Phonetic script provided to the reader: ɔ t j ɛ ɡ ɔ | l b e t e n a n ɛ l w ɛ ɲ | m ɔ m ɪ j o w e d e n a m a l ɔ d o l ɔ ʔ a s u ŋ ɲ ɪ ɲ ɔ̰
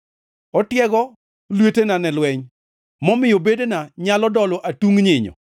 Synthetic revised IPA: ɔ t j ɛ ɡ ɔ | l w e t e n a n ɛ l w ɛ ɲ | m ɔ m ɪ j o b e d e n a ɲ a l ɔ d ɔ l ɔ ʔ a t u ŋ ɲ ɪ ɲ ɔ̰